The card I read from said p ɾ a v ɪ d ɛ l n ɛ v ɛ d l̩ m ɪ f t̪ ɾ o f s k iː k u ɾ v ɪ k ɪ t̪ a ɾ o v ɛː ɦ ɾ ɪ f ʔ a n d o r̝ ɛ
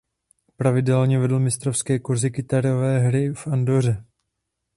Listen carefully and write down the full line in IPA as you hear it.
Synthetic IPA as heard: p ɾ a v ɪ d ɛ l ɲ ɛ v ɛ d l̩ m ɪ s t̪ ɾ o f s k ɛː k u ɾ z ɪ k ɪ t̪ a ɾ o v ɛː ɦ ɾ ɪ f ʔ a n d o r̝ ɛ